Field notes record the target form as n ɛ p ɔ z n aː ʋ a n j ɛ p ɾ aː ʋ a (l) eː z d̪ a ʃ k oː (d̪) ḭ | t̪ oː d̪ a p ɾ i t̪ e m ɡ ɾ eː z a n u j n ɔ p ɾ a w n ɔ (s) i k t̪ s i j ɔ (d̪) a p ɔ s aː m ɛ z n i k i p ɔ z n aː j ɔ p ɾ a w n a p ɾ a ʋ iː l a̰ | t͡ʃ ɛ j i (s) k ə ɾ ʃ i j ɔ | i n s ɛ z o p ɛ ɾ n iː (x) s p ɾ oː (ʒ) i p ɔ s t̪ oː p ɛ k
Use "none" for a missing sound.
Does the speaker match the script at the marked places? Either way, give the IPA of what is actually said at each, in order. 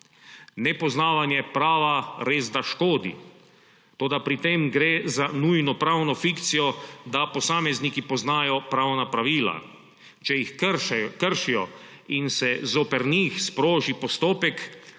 ɾ, d̪, f, d̪, x, x, ʒ

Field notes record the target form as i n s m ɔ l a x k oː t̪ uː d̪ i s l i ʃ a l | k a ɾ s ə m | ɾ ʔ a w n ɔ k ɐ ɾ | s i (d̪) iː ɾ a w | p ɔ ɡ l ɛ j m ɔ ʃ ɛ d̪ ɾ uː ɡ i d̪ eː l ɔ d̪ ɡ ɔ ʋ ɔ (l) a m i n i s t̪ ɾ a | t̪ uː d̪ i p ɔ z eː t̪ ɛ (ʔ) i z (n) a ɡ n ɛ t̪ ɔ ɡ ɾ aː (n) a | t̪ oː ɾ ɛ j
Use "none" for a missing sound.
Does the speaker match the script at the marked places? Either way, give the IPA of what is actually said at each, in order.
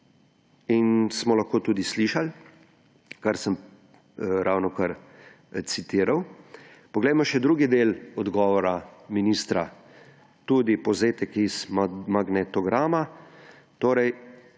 t̪, ɾ, k, m, m

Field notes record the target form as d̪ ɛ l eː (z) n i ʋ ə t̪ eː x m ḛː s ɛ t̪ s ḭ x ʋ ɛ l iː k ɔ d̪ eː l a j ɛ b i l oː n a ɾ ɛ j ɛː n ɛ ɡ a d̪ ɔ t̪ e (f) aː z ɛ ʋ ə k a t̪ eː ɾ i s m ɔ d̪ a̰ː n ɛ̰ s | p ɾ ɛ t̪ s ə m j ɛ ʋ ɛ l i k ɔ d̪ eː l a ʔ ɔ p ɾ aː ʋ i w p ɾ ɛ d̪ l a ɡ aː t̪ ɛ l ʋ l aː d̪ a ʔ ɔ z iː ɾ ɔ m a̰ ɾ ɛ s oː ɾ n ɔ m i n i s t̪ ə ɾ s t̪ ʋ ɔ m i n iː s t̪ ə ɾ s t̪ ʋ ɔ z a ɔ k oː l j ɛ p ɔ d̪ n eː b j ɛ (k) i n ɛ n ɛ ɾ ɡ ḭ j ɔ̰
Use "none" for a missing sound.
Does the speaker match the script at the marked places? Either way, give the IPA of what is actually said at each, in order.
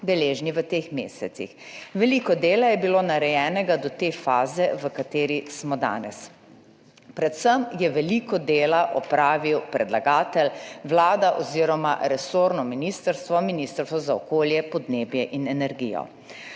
ʒ, f, ʔ

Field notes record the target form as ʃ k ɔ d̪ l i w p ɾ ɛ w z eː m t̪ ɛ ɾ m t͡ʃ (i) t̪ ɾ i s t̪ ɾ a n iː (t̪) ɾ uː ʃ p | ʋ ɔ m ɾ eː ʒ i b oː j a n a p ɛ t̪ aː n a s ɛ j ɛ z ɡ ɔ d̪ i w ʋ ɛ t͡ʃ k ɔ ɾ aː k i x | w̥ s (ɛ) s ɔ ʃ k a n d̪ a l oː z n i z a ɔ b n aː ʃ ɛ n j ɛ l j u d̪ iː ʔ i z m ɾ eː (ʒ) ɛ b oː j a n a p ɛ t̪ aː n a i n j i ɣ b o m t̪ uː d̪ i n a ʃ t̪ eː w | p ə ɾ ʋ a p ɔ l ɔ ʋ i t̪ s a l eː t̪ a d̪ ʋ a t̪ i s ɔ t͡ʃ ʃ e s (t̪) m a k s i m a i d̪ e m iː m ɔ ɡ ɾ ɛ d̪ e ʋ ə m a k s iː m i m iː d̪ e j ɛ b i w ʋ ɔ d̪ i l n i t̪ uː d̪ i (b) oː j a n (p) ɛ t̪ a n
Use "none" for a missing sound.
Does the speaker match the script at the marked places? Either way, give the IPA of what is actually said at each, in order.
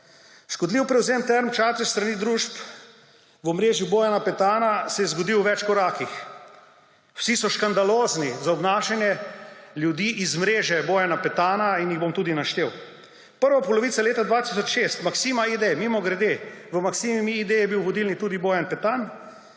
a, d̪, i, ʒ, t̪, b, p

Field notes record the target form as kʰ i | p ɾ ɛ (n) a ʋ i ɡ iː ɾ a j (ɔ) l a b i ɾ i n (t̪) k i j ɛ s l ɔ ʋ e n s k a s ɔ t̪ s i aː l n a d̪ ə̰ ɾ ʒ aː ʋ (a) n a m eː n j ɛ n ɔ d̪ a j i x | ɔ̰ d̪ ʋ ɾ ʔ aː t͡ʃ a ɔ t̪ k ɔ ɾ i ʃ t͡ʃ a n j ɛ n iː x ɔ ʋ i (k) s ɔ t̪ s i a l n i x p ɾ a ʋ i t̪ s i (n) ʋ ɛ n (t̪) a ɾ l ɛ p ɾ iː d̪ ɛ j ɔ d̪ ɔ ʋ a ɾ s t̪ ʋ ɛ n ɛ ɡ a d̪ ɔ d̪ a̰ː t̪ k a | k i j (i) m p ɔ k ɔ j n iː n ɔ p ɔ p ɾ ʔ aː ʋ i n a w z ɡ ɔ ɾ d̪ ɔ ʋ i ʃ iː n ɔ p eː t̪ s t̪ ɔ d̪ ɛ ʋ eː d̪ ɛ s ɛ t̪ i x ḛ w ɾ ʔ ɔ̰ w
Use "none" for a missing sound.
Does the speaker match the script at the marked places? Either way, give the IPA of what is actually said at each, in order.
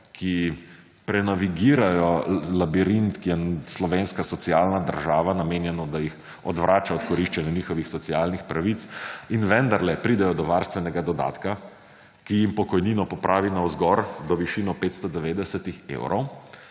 n, ɔ, t̪, a, x, n, d̪, i

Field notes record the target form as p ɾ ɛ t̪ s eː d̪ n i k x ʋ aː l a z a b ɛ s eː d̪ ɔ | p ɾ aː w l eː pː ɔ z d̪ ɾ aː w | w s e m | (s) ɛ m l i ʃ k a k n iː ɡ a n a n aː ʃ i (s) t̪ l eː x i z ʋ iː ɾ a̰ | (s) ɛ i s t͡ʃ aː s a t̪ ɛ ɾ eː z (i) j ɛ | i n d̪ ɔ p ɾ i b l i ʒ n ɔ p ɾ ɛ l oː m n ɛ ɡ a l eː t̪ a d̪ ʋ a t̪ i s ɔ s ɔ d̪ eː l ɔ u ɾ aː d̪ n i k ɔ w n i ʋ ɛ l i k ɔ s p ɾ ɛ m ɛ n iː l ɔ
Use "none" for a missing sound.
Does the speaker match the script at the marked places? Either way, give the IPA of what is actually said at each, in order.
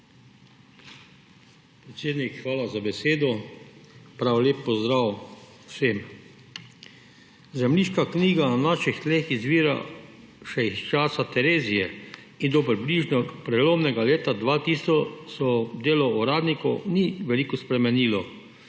z, x, ʃ, i

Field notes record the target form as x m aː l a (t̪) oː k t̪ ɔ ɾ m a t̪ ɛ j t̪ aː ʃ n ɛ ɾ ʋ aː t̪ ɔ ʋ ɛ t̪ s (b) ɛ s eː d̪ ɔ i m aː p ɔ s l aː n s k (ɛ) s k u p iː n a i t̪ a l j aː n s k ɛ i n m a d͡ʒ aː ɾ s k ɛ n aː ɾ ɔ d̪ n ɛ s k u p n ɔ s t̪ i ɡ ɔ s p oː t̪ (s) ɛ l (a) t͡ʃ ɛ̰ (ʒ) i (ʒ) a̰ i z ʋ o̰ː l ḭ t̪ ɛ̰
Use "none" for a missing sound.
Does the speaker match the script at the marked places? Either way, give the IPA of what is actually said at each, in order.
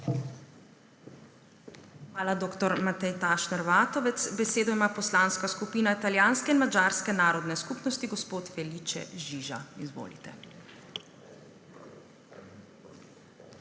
d̪, b, a, f, i, ʒ, ʒ

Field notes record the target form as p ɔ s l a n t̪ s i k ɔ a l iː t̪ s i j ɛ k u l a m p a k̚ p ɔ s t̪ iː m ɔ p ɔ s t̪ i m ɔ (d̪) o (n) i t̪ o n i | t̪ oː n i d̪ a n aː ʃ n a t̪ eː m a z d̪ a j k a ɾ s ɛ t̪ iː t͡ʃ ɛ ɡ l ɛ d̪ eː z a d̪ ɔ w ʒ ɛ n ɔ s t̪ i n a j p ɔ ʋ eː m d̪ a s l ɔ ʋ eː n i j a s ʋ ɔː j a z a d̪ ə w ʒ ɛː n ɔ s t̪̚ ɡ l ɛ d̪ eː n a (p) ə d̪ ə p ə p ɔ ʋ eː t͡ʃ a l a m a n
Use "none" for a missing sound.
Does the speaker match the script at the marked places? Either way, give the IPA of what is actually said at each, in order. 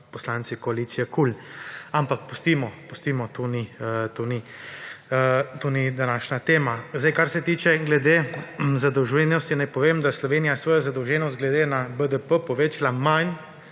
t̪, n, b

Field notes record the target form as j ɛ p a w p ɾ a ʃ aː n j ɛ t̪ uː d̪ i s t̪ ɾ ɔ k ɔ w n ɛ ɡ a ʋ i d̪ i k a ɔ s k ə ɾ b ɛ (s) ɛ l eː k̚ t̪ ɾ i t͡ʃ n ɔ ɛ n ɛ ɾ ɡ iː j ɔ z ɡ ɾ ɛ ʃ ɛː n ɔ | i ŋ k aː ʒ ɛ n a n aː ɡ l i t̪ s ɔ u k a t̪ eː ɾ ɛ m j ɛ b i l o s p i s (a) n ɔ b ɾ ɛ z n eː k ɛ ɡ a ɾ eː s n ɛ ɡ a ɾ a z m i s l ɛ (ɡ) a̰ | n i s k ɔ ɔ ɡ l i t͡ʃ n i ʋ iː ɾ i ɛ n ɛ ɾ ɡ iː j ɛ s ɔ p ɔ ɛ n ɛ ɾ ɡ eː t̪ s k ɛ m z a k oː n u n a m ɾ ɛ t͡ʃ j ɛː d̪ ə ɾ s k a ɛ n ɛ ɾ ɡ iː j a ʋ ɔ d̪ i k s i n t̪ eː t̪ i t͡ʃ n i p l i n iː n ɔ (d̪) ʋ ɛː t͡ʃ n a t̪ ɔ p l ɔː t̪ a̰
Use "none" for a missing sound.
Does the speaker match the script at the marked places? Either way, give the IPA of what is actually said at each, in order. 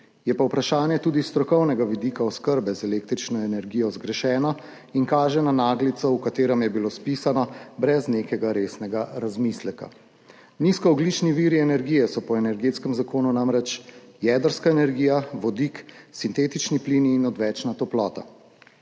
z, a, k, d̪

